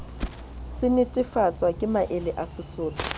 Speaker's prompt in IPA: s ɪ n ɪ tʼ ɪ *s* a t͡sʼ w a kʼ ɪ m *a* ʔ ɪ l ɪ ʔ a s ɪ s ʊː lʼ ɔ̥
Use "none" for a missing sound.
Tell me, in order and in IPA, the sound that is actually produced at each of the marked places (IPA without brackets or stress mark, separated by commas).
f, a